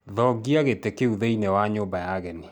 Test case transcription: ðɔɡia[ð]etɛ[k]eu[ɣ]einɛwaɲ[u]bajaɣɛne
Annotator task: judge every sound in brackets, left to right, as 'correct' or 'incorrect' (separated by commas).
incorrect, correct, incorrect, incorrect